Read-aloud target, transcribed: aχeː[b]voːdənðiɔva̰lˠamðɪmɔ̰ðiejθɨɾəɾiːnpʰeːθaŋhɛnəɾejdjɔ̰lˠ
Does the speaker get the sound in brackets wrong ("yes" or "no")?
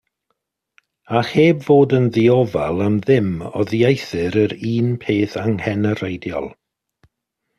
no